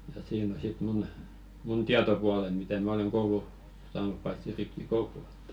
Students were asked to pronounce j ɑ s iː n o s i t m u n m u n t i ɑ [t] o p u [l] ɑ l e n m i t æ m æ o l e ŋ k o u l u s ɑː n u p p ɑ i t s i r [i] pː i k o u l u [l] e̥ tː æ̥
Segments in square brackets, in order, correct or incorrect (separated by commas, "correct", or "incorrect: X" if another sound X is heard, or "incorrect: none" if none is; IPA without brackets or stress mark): correct, incorrect: none, correct, incorrect: none